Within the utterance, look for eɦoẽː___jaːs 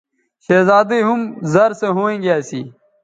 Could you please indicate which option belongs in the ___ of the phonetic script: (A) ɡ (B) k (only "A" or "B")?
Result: A